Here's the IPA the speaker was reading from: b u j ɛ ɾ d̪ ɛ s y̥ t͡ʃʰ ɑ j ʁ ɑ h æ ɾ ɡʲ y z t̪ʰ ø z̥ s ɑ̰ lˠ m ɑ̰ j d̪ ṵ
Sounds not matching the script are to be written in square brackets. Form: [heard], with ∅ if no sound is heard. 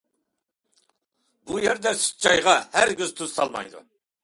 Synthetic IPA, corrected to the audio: b u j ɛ ɾ d̪ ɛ s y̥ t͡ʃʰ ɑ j ʁ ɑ h æ ɾ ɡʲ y z t̪ʰ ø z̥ s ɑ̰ lˠ m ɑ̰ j d̪ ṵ

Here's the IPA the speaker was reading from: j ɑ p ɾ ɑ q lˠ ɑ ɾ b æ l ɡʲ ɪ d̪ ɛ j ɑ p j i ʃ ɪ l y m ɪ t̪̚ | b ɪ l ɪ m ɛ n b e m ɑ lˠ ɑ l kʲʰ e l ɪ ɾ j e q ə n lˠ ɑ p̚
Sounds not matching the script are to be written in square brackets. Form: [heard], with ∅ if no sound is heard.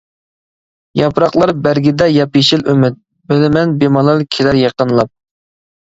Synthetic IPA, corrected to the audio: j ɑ p ɾ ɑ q lˠ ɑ ɾ b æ [ɾ] ɡʲ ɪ d̪ ɛ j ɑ p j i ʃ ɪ l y m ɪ t̪̚ | b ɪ l ɪ m ɛ n b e m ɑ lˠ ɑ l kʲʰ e l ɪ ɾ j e q ə n lˠ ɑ p̚

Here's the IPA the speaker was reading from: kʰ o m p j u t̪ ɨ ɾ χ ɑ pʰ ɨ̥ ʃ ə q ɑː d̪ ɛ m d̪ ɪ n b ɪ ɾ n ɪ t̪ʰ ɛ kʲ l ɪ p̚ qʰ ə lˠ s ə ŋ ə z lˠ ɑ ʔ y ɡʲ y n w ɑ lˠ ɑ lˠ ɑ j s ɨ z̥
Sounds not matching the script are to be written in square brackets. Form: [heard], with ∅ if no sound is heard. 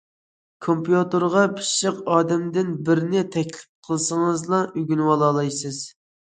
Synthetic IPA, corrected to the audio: kʰ o m p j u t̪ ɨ ɾ [ʁ] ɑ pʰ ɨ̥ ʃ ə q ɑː d̪ ɛ m d̪ ɪ n b ɪ ɾ n ɪ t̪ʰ ɛ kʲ l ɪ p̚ qʰ ə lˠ s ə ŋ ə z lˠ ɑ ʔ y ɡʲ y n w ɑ lˠ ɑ lˠ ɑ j s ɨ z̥

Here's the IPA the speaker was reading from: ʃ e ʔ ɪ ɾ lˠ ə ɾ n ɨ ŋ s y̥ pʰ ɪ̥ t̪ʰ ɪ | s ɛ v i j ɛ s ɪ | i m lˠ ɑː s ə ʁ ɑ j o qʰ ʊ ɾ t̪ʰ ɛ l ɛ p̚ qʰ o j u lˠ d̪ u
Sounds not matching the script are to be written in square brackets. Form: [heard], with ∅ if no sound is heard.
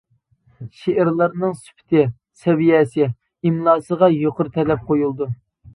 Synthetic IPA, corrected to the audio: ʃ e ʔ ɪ ɾ lˠ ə ɾ n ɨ ŋ s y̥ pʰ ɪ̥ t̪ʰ ɪ | s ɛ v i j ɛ s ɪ | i m lˠ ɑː s ə ʁ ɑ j o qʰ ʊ ɾ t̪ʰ ɛ l ɛ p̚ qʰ o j u lˠ d̪ u

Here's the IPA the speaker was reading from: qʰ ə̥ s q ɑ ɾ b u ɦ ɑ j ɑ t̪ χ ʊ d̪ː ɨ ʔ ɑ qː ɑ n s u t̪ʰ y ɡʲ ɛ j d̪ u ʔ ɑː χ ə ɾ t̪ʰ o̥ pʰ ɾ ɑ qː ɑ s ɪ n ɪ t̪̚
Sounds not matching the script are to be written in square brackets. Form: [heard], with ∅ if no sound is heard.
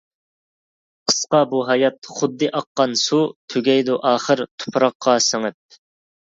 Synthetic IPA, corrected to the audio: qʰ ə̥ s q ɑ [∅] b u ɦ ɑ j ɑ t̪ χ ʊ d̪ː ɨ ʔ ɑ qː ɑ n s u t̪ʰ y ɡʲ ɛ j d̪ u ʔ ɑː χ ə ɾ t̪ʰ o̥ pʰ ɾ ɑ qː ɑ s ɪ [ŋ] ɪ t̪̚

